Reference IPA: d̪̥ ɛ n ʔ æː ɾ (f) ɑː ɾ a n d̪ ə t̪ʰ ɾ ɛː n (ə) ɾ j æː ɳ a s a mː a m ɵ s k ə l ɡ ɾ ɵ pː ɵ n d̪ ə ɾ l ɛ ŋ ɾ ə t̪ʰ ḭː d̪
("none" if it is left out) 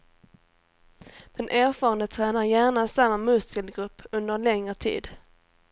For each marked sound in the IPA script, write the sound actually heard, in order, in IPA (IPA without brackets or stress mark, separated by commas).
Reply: f, a